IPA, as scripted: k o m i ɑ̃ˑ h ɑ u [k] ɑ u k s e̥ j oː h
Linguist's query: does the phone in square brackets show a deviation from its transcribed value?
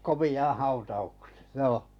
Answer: yes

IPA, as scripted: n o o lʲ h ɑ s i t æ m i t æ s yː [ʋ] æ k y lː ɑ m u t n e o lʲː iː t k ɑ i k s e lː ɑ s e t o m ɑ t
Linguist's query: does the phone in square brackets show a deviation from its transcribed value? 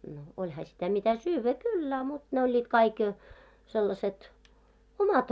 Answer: yes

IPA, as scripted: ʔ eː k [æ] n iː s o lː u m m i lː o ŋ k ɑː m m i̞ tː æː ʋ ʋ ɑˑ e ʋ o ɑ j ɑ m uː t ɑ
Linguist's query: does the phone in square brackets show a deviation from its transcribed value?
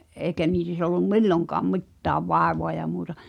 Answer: no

